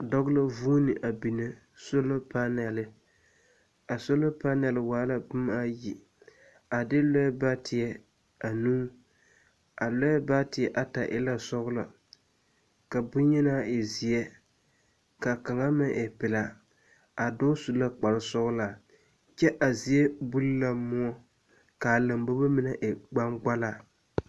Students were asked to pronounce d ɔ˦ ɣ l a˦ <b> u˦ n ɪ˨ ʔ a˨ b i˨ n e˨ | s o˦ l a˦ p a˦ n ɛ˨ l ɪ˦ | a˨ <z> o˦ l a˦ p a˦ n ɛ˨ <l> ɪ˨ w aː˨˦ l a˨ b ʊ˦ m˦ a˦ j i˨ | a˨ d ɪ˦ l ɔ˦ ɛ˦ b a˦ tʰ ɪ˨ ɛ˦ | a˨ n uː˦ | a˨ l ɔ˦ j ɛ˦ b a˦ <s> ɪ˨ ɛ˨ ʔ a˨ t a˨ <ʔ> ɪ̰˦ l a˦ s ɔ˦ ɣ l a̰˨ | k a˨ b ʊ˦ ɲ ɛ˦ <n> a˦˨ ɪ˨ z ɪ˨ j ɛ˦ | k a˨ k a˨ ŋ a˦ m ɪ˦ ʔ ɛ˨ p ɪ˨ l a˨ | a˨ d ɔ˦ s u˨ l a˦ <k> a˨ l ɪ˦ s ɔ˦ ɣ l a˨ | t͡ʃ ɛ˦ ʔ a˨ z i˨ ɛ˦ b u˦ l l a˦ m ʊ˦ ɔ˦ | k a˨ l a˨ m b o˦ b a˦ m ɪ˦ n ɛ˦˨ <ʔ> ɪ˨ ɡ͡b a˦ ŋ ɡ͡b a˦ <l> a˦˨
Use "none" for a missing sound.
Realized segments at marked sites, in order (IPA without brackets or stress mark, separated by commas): v, s, l, t, ʔ, n, k͡p, ʔ, l